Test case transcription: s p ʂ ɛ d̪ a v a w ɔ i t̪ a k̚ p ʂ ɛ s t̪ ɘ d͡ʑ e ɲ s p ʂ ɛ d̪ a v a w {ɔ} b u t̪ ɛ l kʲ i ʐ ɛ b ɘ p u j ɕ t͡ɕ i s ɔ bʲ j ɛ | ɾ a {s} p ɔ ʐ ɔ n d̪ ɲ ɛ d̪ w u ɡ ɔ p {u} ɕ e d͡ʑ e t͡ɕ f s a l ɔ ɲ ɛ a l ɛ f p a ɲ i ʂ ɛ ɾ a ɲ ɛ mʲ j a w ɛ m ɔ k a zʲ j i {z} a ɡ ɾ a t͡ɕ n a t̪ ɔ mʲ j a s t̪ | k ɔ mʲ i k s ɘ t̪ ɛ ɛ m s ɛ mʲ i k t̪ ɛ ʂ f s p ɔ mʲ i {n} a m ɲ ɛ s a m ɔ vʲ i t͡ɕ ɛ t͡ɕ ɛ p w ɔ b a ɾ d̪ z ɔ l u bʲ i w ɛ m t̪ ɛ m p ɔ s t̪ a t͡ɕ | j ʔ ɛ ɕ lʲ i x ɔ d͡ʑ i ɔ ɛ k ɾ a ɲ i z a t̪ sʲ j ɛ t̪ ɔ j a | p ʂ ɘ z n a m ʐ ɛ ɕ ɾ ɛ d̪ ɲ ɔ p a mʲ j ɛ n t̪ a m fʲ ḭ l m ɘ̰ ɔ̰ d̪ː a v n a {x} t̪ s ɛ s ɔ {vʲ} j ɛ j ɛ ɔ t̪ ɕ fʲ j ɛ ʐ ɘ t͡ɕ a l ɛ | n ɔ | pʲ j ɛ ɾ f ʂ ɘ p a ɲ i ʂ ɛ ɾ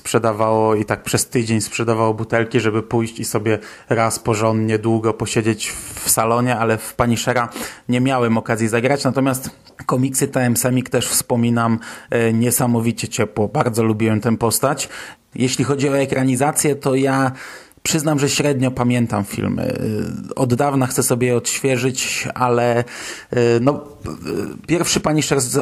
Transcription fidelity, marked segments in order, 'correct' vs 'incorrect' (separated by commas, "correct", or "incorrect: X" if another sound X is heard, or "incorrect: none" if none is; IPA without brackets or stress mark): correct, correct, incorrect: ɔ, correct, correct, correct, incorrect: bʲ